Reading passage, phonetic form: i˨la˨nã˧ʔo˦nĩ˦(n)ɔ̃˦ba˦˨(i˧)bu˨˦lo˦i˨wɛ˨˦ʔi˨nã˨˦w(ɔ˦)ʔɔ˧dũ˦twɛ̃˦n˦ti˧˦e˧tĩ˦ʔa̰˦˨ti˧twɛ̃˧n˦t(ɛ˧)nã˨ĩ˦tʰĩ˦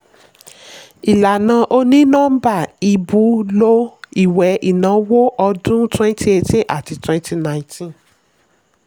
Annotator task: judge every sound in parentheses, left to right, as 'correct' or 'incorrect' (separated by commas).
correct, correct, incorrect, incorrect